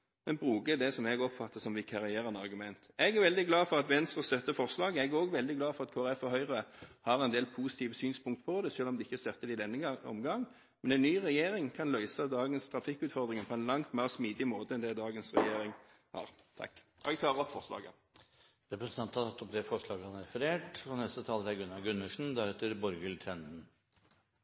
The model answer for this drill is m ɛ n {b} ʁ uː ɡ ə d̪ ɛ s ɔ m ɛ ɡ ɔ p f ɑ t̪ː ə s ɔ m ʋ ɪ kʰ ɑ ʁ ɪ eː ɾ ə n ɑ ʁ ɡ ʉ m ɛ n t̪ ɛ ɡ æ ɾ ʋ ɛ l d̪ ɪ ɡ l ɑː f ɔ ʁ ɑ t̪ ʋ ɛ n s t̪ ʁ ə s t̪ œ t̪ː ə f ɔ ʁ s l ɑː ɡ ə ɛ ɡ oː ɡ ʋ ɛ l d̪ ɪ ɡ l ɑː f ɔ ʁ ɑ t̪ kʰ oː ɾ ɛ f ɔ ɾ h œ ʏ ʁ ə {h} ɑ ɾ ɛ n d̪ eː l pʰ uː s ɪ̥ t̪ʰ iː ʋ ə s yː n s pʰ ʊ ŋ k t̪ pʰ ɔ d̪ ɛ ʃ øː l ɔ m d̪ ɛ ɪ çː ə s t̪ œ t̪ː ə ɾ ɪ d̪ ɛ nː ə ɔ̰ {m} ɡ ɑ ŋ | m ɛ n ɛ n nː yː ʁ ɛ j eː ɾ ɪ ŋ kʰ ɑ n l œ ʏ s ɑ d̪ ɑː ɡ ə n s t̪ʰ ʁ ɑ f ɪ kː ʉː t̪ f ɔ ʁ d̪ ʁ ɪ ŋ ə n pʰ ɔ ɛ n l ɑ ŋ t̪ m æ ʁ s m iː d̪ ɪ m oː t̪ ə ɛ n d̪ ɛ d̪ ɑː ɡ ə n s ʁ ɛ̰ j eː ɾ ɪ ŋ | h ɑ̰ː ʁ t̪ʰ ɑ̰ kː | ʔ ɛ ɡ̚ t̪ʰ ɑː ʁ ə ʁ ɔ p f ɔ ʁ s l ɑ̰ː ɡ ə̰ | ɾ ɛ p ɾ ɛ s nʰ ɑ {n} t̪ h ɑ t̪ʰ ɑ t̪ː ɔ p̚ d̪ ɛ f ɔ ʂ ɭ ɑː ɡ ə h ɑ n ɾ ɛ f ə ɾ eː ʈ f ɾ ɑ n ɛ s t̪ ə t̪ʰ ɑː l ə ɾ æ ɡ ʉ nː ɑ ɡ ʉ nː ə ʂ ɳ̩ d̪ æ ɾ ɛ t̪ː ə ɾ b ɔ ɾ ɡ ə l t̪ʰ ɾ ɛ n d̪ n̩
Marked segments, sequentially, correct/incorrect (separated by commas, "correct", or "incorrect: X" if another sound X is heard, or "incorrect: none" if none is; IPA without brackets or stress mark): correct, correct, correct, correct